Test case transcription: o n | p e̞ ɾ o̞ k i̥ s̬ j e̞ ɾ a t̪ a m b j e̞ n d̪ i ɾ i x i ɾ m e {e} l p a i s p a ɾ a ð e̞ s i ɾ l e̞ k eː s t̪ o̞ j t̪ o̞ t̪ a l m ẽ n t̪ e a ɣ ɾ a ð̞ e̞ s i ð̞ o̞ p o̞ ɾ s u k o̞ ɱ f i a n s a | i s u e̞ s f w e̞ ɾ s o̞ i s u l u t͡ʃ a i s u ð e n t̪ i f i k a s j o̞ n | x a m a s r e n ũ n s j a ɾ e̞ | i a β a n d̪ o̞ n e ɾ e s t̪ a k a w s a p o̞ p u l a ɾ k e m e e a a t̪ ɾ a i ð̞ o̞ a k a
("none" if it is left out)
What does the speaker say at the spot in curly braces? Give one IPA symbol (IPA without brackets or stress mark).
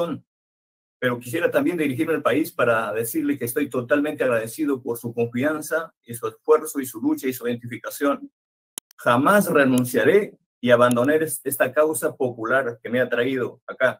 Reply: a